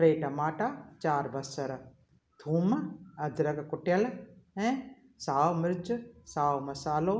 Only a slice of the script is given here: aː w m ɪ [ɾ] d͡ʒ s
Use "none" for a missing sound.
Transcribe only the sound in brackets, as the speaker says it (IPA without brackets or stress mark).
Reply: ɾ